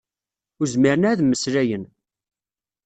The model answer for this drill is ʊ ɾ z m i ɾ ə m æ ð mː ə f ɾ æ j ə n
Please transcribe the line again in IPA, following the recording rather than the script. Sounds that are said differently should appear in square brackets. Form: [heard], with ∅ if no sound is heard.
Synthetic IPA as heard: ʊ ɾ z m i ɾ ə [n] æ ð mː ə [s] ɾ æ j ə n